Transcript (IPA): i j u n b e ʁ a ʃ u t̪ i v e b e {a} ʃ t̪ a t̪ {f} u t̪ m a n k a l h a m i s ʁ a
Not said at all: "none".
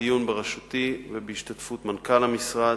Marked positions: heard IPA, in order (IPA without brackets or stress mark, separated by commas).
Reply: i, f